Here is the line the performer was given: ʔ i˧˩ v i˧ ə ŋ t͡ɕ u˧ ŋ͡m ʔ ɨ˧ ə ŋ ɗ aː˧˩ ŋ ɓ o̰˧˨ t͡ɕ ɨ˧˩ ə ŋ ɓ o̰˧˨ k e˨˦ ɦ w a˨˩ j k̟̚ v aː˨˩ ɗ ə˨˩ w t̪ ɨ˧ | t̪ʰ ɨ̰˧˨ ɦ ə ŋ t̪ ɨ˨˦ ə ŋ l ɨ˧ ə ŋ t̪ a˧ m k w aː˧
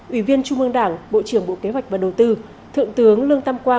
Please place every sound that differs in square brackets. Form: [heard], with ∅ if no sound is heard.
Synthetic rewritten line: ʔ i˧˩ v i˧ ə [n] t͡ɕ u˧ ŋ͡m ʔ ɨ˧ ə ŋ ɗ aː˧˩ ŋ ɓ o̰˧˨ t͡ɕ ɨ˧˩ ə ŋ ɓ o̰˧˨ k e˨˦ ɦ w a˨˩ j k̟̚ v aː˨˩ ɗ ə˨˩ w t̪ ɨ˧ | t̪ʰ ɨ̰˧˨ [∅] ə ŋ t̪ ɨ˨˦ ə ŋ l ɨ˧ ə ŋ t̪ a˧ m k w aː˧